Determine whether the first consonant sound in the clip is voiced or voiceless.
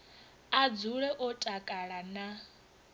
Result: voiced